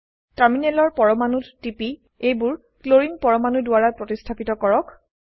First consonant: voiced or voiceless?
voiceless